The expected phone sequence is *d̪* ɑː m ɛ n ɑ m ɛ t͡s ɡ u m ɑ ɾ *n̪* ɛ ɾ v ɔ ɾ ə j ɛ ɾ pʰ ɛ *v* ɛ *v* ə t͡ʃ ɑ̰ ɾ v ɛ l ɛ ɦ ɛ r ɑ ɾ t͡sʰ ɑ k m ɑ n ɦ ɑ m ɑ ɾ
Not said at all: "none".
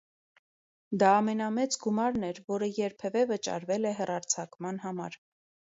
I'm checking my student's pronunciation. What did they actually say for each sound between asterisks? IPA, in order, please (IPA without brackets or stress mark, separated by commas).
d̪, n̪, v, v